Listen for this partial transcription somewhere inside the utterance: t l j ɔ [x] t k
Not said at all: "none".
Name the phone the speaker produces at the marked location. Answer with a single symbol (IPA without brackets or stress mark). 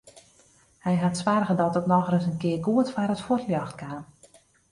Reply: x